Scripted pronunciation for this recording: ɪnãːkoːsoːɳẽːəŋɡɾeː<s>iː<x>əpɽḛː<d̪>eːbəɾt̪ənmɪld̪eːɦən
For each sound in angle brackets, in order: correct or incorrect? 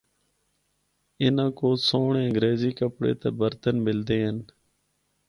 incorrect: z, incorrect: k, incorrect: t̪

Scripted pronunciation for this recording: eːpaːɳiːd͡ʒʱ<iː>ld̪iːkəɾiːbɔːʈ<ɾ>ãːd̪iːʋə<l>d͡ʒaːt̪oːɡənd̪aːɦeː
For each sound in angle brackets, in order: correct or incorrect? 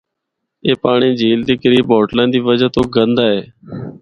correct, incorrect: l, incorrect: none

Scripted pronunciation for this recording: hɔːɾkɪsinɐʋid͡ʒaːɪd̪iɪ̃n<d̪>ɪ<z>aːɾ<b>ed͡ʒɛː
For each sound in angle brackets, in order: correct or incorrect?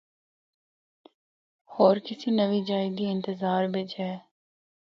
incorrect: t̪, correct, correct

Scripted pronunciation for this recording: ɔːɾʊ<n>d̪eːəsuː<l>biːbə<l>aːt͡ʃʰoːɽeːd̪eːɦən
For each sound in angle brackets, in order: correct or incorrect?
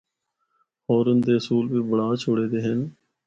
correct, correct, incorrect: ɽ

